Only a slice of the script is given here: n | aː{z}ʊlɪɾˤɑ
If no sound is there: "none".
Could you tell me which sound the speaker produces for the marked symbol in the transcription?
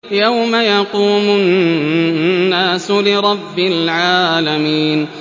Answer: s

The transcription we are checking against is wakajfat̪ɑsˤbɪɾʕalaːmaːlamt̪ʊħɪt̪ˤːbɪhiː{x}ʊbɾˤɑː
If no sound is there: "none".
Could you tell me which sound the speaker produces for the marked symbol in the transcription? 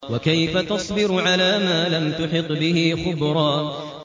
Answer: x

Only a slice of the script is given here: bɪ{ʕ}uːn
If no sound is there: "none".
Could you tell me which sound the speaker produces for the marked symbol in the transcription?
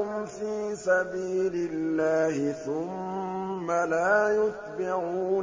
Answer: ʕ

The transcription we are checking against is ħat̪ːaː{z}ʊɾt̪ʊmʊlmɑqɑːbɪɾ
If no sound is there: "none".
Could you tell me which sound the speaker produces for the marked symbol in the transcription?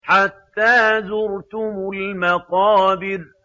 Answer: z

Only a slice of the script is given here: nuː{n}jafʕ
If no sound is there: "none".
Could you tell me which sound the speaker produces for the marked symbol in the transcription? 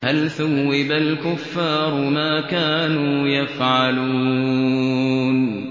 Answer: none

